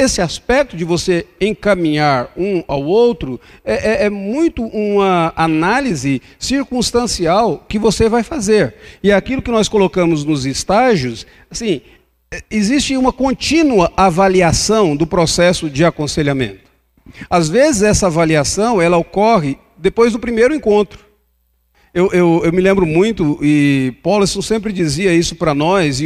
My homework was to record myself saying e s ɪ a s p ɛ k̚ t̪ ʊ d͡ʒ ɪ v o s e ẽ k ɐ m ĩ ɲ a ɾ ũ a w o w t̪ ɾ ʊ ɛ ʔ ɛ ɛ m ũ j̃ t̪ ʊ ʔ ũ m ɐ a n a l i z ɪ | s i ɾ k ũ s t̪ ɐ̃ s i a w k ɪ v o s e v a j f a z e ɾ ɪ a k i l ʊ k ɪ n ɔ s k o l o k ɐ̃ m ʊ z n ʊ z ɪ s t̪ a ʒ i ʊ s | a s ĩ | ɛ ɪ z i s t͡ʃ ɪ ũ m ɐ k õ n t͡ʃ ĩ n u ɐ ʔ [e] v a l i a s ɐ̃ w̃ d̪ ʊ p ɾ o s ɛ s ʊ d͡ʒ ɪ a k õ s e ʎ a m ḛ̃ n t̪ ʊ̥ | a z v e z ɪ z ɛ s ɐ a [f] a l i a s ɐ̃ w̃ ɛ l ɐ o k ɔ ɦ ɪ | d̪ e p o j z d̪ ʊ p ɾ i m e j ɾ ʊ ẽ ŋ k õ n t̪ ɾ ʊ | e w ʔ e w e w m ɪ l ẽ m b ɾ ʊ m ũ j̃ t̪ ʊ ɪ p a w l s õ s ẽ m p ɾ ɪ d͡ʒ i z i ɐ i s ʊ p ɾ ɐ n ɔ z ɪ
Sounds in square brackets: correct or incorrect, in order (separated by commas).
incorrect, incorrect